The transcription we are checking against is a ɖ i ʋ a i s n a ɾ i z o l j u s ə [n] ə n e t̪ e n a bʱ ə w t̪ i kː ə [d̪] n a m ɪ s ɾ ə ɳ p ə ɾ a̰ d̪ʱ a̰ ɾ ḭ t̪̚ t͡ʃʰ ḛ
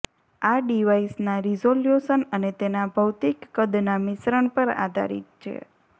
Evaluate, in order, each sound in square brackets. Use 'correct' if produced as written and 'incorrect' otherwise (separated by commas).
correct, correct